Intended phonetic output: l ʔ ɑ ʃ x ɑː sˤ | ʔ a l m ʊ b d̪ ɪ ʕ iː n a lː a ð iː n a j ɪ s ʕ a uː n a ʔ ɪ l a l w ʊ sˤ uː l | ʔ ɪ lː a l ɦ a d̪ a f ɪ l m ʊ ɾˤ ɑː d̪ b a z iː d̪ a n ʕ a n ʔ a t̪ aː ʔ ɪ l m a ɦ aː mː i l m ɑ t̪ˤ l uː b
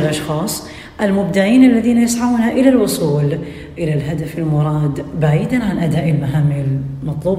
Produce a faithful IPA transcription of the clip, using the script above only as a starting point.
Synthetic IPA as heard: l ʔ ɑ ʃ x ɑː sˤ | ʔ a l m ʊ b d̪ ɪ ʕ iː n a lː a ð iː n a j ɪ s ʕ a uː n a ʔ ɪ l a l w ʊ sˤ uː l | ʔ ɪ l a l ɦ a d̪ a f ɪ l m ʊ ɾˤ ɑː d̪ b a ʕ iː d̪ a n ʕ a n ʔ a d̪ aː ʔ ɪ l m a ɦ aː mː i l m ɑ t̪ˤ l uː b